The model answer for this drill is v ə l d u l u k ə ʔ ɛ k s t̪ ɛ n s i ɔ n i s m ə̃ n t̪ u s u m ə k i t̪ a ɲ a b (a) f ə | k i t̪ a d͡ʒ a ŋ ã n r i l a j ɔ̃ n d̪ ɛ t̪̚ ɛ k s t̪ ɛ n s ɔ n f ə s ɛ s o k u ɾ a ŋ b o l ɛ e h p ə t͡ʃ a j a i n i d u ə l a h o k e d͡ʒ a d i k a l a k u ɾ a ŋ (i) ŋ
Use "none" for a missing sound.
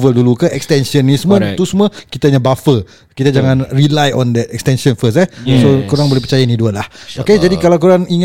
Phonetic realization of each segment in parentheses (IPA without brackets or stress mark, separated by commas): a, i